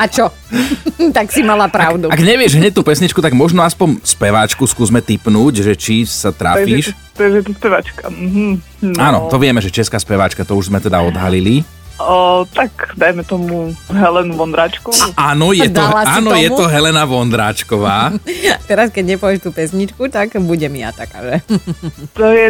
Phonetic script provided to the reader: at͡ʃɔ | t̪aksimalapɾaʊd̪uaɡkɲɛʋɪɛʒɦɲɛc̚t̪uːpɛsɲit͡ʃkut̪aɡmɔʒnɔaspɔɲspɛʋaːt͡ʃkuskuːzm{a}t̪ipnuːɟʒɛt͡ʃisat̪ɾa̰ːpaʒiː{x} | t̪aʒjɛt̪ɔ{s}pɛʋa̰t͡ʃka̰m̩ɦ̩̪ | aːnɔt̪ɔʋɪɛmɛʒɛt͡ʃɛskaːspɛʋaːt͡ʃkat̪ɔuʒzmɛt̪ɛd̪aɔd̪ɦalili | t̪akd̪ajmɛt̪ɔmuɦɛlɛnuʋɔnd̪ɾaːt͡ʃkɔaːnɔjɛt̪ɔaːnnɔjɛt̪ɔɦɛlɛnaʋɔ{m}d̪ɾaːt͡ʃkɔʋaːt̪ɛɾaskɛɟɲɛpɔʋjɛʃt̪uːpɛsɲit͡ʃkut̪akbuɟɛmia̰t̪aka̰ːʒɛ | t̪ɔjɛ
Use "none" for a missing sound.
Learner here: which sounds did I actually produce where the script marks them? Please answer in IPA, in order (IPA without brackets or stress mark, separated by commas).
ɛ, ʃ, s, n